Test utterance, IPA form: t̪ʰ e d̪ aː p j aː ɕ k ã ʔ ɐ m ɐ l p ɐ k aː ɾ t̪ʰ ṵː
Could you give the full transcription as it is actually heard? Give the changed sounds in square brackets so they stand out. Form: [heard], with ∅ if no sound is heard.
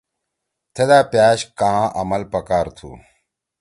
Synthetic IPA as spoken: t̪ʰ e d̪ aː p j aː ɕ k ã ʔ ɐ m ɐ l p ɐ k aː ɾ t̪ʰ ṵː